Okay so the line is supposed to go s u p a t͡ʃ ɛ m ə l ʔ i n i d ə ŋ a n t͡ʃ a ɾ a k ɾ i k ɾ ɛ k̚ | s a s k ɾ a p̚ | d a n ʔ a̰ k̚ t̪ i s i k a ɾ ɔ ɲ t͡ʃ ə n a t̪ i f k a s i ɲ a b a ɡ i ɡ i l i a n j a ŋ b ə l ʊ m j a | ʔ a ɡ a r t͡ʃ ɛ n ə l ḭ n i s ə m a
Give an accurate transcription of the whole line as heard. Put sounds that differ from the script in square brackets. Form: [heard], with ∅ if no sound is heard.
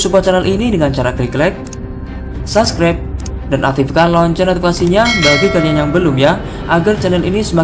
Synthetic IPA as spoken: s u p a t͡ʃ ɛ [n] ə l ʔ i n i d ə ŋ a n t͡ʃ a ɾ a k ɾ i k [l] ɛ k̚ | s a s k ɾ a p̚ | d a n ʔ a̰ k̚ t̪ i [f] i k a [l] ɔ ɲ t͡ʃ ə n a t̪ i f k a s i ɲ a b a ɡ i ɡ [a] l i a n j a ŋ b ə l ʊ m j a | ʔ a ɡ a r t͡ʃ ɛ n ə l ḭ n i s ə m a